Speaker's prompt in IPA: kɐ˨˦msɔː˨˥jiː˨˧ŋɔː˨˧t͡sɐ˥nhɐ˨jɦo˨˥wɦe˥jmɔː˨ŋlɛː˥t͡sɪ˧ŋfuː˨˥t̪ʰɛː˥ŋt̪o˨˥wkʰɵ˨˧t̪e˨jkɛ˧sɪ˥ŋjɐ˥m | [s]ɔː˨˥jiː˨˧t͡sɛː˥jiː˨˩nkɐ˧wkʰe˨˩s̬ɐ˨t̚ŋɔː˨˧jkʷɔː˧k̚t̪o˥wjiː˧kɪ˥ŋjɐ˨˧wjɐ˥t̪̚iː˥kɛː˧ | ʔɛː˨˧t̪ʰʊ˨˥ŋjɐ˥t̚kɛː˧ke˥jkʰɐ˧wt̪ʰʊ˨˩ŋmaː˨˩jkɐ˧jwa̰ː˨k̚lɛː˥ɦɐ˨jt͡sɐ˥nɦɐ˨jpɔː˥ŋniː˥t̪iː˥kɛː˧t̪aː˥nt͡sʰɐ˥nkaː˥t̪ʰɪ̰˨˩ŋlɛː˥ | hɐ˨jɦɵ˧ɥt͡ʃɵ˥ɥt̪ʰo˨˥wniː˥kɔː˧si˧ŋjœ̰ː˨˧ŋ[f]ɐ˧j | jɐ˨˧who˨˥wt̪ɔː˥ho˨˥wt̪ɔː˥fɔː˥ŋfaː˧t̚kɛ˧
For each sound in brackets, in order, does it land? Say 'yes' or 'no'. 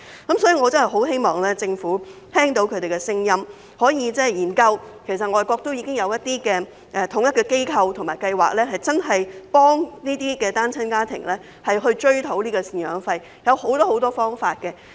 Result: no, yes

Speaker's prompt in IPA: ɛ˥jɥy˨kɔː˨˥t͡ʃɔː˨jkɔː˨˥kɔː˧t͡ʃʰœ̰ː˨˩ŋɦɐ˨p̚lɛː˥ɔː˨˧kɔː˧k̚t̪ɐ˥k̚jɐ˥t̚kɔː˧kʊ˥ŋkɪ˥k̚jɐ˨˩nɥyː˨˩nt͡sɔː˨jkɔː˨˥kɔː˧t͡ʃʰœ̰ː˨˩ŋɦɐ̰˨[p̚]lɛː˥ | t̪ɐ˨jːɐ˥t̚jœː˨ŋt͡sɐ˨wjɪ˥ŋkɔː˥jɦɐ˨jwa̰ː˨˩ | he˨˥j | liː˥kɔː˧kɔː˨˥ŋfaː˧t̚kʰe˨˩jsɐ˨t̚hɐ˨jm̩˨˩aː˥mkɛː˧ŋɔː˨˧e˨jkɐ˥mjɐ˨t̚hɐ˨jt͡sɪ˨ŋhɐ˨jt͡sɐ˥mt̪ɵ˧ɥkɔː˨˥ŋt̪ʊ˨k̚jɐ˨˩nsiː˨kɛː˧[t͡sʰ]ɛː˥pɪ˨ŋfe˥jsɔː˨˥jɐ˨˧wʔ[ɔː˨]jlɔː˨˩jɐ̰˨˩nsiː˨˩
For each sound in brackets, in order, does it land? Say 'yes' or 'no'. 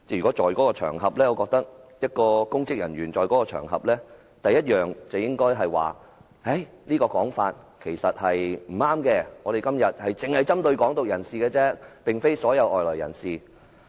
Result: yes, no, yes

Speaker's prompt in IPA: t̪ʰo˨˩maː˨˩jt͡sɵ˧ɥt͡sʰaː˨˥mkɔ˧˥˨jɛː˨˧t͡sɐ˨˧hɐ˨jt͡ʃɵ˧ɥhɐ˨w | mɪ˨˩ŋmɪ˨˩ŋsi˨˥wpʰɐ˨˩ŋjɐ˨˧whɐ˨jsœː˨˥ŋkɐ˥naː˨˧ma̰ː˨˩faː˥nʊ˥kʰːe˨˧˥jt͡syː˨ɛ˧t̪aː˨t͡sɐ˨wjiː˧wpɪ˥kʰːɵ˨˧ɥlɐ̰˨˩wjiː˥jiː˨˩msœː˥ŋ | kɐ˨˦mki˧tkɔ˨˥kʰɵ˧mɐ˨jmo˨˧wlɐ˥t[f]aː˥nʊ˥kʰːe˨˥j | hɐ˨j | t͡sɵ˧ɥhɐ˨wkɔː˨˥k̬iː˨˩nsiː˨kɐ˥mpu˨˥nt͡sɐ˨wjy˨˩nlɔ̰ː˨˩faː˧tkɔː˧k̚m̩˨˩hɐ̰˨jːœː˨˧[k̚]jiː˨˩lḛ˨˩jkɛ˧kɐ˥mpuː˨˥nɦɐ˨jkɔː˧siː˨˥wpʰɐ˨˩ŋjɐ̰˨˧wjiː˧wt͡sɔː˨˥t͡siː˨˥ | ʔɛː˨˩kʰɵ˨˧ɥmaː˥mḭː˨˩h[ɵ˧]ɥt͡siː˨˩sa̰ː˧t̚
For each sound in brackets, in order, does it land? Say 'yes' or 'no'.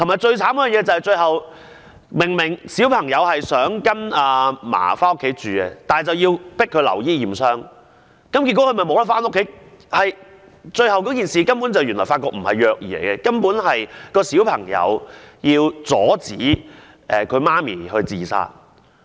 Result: yes, yes, yes

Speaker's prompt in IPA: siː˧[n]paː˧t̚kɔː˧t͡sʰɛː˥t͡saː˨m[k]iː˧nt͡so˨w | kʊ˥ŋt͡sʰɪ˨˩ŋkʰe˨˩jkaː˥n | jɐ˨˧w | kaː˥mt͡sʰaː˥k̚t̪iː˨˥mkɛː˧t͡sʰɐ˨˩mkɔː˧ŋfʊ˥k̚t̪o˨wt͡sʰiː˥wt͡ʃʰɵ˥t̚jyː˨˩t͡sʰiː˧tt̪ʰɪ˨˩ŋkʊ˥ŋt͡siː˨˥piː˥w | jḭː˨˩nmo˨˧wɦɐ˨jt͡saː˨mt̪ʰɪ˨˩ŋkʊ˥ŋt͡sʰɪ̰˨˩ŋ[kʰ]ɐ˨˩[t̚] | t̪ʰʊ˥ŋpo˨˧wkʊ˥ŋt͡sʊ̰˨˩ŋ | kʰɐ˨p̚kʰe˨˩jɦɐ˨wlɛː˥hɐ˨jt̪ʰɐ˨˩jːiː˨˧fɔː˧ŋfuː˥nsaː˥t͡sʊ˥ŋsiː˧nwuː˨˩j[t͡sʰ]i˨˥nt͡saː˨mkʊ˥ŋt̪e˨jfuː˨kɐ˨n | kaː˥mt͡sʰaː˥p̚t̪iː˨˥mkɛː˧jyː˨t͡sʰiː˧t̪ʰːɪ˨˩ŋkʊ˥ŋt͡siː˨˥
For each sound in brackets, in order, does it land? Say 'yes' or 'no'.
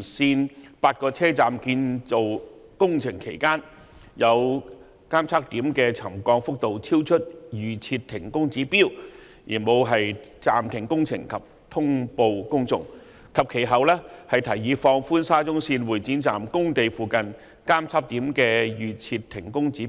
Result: yes, yes, yes, no, no

